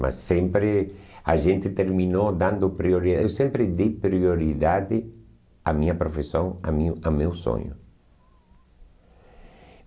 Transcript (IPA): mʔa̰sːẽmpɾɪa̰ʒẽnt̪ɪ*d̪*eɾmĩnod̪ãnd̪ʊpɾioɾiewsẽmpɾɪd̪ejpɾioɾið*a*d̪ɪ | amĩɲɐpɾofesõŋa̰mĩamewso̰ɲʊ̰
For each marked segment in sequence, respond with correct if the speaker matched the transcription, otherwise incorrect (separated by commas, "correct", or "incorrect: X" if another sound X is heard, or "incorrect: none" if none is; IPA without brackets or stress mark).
incorrect: t̪, correct